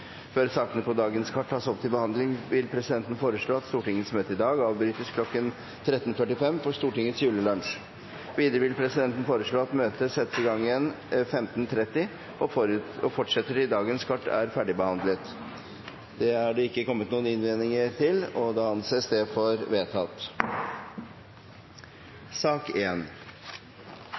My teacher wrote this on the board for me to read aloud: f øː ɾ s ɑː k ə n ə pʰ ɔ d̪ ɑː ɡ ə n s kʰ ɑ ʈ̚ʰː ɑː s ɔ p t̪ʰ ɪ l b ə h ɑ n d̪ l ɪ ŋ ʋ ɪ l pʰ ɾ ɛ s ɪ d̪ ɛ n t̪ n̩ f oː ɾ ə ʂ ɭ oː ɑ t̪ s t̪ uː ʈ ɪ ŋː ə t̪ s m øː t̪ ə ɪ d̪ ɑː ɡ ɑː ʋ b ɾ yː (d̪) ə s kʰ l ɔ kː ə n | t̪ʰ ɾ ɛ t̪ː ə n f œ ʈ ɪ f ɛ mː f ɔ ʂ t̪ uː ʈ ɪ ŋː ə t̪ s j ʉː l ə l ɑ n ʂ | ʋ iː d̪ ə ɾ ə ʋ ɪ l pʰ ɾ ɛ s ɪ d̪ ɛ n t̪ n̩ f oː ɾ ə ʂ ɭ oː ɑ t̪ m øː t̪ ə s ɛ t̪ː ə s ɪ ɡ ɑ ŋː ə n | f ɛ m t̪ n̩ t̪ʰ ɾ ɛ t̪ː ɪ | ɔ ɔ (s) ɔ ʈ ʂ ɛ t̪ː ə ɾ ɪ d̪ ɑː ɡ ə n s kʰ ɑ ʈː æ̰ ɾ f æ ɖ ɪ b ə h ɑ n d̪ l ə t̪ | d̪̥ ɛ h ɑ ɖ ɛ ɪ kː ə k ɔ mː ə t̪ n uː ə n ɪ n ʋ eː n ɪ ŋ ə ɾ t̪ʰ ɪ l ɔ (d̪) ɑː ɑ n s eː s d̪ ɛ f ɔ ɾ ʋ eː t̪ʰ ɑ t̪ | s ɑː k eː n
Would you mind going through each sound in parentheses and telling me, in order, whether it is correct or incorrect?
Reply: incorrect: t̪, incorrect: f, correct

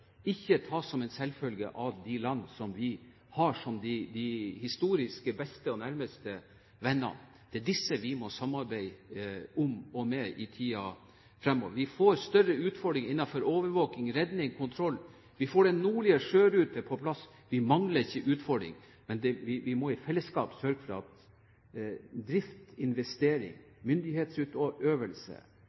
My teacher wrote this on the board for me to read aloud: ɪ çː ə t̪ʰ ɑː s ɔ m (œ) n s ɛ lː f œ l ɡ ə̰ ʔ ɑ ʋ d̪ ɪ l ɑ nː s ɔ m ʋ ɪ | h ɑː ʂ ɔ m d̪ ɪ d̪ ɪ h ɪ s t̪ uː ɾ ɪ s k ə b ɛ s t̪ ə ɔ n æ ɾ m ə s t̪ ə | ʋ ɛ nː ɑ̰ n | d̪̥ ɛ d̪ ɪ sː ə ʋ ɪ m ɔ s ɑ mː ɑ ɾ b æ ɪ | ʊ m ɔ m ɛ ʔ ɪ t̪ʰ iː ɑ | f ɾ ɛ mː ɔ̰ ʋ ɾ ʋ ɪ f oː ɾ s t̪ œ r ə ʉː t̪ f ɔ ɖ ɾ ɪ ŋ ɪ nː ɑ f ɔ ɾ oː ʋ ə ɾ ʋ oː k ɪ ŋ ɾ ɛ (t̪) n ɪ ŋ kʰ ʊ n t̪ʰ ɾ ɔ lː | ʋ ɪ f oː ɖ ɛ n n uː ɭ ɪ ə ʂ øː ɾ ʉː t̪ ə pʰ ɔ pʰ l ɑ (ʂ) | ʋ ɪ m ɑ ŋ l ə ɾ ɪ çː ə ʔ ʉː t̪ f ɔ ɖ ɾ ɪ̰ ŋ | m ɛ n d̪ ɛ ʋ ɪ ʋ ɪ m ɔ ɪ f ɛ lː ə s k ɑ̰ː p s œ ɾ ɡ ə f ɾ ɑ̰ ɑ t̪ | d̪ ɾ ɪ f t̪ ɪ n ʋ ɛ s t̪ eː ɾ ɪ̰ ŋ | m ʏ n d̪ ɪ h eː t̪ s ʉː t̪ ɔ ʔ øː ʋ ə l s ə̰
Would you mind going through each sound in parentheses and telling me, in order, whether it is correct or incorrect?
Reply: incorrect: ɛ, incorrect: d̪, incorrect: s

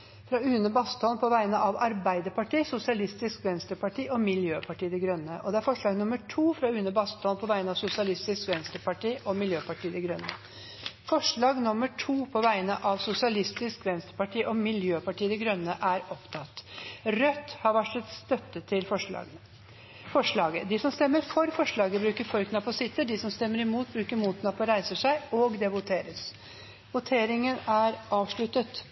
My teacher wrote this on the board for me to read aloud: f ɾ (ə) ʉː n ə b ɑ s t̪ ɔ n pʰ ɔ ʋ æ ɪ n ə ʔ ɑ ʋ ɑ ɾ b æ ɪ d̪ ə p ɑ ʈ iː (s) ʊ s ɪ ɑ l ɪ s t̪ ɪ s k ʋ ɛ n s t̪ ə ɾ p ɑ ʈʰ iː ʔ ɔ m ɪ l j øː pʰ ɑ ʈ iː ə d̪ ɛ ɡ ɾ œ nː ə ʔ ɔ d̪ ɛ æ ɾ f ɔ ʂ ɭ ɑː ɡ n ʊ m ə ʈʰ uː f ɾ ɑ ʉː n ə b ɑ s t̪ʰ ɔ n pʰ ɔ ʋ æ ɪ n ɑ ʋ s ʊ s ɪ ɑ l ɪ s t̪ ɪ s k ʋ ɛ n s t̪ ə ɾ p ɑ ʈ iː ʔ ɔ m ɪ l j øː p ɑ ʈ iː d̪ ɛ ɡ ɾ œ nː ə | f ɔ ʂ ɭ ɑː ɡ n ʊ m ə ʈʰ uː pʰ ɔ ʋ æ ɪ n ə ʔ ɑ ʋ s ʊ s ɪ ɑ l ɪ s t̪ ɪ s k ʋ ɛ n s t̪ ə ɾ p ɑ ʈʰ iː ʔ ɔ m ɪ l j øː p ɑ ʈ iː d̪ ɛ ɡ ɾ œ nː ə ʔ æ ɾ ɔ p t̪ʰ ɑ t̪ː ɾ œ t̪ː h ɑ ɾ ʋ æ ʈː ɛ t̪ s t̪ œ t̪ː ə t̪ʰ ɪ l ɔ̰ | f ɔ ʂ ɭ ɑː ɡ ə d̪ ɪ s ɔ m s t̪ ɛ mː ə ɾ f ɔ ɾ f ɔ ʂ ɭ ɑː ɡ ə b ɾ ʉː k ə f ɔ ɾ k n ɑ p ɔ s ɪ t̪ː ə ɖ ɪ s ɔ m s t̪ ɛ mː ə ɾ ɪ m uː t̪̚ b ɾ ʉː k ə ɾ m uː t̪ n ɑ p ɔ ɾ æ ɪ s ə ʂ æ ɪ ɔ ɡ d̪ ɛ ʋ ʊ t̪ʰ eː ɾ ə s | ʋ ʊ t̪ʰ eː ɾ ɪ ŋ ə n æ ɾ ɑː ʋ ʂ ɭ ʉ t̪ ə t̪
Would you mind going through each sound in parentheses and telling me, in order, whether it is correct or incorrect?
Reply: incorrect: ɑ, correct

